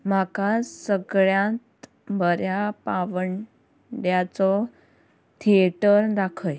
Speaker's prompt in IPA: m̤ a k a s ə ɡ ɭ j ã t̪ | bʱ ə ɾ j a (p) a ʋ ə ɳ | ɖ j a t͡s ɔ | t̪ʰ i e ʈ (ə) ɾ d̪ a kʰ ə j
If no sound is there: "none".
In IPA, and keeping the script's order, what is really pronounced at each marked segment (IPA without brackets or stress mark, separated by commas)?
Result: p, ə